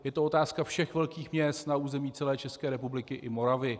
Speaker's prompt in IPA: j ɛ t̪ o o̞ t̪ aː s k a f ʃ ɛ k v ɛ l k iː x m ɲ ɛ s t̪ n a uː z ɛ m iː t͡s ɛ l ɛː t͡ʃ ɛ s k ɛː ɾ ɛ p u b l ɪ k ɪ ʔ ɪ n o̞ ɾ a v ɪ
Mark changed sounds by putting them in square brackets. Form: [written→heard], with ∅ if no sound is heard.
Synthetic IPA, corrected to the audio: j ɛ t̪ o o̞ t̪ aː s k a f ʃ ɛ [k→x] v ɛ l k iː x m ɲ ɛ s t̪ n a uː z ɛ m iː t͡s ɛ l ɛː t͡ʃ ɛ s k ɛː ɾ ɛ p u b l ɪ k ɪ ʔ ɪ [n→m] o̞ ɾ a v ɪ